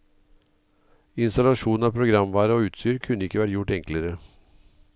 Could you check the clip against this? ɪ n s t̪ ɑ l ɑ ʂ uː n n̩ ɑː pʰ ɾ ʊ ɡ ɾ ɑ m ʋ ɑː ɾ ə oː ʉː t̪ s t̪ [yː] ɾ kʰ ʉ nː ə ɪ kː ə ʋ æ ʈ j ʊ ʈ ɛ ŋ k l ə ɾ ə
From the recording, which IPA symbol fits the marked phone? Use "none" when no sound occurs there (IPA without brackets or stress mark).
yː